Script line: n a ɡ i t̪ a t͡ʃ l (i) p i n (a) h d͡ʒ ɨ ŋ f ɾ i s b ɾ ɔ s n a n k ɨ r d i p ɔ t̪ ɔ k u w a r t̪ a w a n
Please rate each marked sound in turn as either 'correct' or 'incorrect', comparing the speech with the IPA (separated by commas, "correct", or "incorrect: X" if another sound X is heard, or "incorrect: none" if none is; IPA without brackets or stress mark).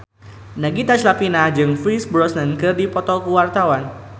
incorrect: a, correct